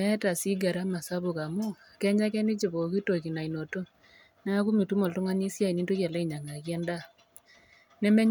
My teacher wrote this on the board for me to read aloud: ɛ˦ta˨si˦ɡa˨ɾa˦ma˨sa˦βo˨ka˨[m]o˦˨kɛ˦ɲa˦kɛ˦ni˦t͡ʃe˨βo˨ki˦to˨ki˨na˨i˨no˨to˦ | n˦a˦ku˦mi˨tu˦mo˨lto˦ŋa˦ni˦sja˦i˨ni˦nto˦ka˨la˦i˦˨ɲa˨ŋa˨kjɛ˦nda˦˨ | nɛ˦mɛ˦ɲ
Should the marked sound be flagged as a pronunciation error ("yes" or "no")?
no